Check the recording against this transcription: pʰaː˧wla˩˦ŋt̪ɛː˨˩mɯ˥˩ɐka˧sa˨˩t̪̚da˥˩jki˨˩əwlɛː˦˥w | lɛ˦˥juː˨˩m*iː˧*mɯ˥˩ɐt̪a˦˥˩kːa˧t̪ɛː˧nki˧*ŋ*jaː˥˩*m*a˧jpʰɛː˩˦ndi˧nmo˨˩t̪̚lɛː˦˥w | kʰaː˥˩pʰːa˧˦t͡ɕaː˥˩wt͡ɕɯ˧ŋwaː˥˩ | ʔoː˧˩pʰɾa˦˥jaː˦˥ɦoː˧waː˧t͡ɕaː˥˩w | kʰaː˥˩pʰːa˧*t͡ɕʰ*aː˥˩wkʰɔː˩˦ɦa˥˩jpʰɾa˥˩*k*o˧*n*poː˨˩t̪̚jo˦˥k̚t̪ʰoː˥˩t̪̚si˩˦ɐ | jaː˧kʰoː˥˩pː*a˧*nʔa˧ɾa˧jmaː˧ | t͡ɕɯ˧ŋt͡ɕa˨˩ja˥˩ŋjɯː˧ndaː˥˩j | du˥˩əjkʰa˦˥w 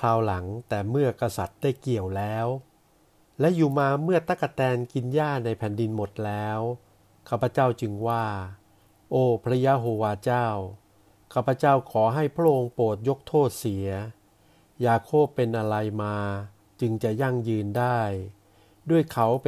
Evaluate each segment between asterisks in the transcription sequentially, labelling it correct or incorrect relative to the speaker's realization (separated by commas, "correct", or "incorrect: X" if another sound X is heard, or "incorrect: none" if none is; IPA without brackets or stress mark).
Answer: incorrect: aː˧, incorrect: n, incorrect: n, incorrect: t͡ɕ, incorrect: ʔ, incorrect: ŋ, incorrect: e˧